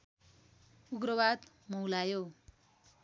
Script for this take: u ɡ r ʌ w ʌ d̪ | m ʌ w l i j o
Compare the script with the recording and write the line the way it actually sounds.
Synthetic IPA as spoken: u ɡ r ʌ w a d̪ | m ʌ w l a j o